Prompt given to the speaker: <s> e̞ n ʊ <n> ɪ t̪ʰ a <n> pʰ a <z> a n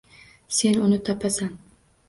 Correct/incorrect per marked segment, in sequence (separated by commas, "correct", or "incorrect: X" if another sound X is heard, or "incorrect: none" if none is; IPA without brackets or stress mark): correct, correct, incorrect: none, incorrect: s